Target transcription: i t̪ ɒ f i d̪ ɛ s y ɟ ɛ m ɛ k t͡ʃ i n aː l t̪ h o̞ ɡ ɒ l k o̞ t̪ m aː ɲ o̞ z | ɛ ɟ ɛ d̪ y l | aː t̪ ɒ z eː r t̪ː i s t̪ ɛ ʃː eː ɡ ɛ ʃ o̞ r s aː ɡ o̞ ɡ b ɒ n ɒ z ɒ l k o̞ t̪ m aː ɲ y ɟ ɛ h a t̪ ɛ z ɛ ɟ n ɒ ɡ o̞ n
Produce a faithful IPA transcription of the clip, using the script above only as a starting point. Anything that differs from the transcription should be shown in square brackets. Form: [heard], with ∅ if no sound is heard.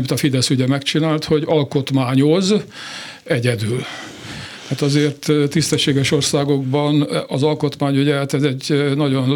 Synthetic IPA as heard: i t̪ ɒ f i d̪ ɛ s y ɟ ɛ m ɛ k t͡ʃ i n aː l t̪ h o̞ [ɟ] ɒ l k o̞ t̪ m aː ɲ o̞ z | ɛ ɟ ɛ d̪ y l | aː t̪ ɒ z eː r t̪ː i s t̪ ɛ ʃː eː ɡ ɛ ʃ o̞ r s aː ɡ o̞ ɡ b ɒ n ɒ z ɒ l k o̞ t̪ m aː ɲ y ɟ ɛ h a t̪ ɛ z ɛ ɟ n ɒ [ɟ] o̞ n